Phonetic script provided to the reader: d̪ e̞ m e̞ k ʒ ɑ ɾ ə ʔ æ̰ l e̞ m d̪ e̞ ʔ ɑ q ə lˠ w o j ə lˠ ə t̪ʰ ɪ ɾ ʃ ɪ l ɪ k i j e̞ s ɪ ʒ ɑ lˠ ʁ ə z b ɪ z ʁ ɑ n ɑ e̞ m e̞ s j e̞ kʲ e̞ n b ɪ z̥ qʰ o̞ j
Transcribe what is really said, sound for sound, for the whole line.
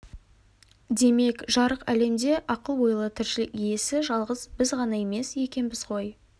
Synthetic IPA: d̪ e̞ m e̞ k ʒ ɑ ɾ ə q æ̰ l e̞ m d̪ e̞ ʔ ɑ q ə lˠ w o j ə lˠ ə t̪ʰ ɪ ɾ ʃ ɪ l ɪ k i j e̞ s ɪ ʒ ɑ lˠ ʁ ə z b ɪ z ʁ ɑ n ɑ e̞ m e̞ s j e̞ kʲ e̞ n b ɪ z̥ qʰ o̞ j

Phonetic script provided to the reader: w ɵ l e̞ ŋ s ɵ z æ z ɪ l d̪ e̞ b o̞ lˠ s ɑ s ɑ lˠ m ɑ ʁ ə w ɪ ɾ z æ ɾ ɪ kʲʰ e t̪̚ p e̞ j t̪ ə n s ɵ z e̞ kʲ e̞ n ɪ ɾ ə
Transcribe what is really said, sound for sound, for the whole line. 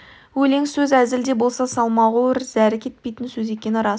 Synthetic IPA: w ɵ l e̞ ŋ s ɵ z æ z ɪ l d̪ e̞ b o̞ lˠ s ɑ s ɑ lˠ m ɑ ʁ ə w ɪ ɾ z æ ɾ ɪ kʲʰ e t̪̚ p e̞ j t̪ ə n s ɵ z e̞ kʲ e̞ n ɪ ɾ ɑ

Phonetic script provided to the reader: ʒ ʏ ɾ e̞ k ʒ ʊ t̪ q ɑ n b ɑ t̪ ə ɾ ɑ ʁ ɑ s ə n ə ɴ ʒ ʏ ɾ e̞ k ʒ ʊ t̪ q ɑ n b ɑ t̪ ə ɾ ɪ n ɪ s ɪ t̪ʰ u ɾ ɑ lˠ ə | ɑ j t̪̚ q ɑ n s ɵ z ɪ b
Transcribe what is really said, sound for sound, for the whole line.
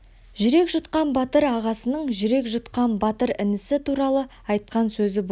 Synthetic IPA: ʒ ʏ ɾ e̞ k ʒ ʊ t̪ q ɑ n b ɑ t̪ ə ɾ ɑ ʁ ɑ s ə n ə ɴ ʒ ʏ ɾ e̞ k ʒ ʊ t̪ q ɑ n b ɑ t̪ ə ɾ ɪ n ɪ s ɪ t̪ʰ u ɾ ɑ lˠ ə | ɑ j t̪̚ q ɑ n s ɵ z ɪ b

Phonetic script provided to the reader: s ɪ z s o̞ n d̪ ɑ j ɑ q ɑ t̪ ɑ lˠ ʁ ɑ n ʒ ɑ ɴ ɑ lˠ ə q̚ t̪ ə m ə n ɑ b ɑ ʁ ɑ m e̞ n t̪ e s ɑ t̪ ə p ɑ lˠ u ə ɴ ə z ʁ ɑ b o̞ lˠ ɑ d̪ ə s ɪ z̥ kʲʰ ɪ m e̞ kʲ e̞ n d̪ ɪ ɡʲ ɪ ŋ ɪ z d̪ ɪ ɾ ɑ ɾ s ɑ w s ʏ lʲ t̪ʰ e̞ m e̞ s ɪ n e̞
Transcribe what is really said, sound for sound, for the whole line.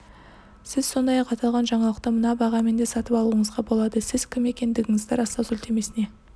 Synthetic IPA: s ɪ z s o̞ n d̪ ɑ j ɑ q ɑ t̪ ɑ lˠ ʁ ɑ n ʒ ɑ ɴ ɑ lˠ ə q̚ t̪ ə m ə n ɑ b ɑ ʁ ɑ m e̞ n d̪ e s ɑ t̪ ə p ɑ lˠ u ə ɴ ə z ʁ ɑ b o̞ lˠ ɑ d̪ ə s ɪ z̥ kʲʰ ɪ m e̞ kʲ e̞ n d̪ ɪ ɡʲ ɪ ŋ ɪ z d̪ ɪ ɾ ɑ s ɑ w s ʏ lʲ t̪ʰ e̞ m e̞ s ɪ n e̞

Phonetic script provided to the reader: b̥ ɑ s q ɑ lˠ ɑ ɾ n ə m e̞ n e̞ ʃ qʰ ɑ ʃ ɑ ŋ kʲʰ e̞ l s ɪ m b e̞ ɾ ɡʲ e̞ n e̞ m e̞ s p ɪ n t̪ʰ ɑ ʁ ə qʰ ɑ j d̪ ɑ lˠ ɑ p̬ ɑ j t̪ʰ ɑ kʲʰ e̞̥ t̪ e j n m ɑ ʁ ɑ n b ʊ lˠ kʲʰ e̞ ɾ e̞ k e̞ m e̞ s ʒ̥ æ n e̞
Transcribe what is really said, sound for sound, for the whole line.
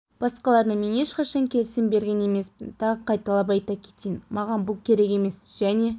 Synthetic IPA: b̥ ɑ s q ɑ lˠ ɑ ɾ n ə m e̞ n e̞ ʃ q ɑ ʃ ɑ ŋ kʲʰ e̞ l s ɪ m b e̞ ɾ ɡʲ e̞ n e̞ m e̞ s p ɪ n t̪ʰ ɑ ʁ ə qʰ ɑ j t̪ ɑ lˠ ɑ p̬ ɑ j t̪ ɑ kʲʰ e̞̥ t̪ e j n m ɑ ʁ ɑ n b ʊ lˠ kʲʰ e̞ ɾ e̞ k e̞ m e̞ s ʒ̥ æ n e̞

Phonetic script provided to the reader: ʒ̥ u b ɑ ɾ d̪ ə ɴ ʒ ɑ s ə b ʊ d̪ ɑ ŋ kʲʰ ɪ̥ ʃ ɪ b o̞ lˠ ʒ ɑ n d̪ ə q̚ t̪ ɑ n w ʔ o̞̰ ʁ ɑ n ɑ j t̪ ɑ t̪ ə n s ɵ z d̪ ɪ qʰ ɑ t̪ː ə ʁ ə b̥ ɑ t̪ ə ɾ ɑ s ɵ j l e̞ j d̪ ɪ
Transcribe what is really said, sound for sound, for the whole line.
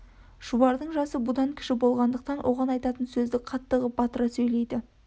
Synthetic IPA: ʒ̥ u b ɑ ɾ d̪ ə ɴ ʒ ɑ s ə b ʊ d̪ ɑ ŋ kʲʰ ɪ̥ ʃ ɪ b o̞ lˠ ʁ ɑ n d̪ ə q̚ t̪ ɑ n w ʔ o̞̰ ʁ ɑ n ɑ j t̪ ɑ t̪ ə n s ɵ z d̪ ɪ qʰ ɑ t̪ː ə ʁ ə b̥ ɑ t̪ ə ɾ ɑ s ɵ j l e̞ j d̪ ɪ

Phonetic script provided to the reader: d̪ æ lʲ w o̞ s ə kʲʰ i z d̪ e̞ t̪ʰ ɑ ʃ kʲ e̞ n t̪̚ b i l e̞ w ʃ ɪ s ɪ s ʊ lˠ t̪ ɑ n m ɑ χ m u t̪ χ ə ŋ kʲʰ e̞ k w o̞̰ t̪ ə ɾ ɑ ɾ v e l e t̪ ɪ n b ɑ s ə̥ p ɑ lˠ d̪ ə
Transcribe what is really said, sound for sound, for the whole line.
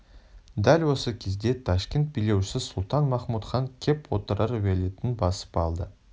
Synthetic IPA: d̪ æ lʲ w o̞ s ə kʲʰ e z d̪ e̞ t̪ʰ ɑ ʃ kʲ e̞ n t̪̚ b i l e̞ w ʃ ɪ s ɪ s ʊ lˠ t̪ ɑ n m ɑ χ m u t̪ χ ɑ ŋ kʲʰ e̞ p w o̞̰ t̪ ə ɾ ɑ ɾ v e l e t̪ ɪ n b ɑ s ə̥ p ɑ lˠ d̪ ə

